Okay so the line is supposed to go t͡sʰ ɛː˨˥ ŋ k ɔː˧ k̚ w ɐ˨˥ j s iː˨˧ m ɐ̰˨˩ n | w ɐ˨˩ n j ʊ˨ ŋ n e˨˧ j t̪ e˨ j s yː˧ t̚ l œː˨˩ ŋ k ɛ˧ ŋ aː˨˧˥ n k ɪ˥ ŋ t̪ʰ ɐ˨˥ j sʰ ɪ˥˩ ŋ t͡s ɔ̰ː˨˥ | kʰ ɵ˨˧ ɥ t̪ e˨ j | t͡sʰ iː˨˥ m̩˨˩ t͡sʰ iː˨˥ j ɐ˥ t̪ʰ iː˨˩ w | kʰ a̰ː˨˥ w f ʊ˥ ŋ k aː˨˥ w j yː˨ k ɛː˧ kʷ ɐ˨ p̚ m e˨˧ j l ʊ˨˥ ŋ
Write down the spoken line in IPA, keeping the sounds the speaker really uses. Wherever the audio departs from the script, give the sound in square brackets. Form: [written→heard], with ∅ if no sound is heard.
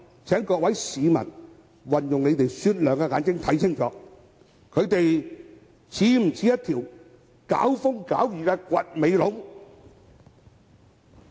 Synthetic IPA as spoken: t͡sʰ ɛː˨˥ ŋ k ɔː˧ k̚ w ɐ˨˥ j s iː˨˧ m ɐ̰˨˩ n | w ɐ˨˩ n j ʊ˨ ŋ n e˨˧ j t̪ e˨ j s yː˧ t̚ l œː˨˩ ŋ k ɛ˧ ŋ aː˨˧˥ n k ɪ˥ ŋ t̪ʰ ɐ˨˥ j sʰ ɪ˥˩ ŋ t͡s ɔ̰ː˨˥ | kʰ ɵ˨˧ ɥ t̪ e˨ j | t͡sʰ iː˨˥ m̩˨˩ t͡sʰ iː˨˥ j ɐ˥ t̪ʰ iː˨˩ w | [kʰ→k] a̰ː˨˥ w f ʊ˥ ŋ k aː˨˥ w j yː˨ k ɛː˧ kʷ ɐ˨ [p̚→t̚] m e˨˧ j l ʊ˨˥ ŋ